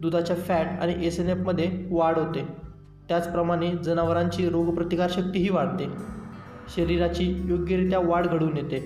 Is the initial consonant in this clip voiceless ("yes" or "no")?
no